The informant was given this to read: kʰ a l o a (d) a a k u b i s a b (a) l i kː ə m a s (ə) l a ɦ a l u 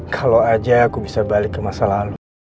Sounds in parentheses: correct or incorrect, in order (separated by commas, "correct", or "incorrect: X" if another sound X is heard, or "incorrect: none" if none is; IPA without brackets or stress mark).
incorrect: d͡ʒ, correct, incorrect: a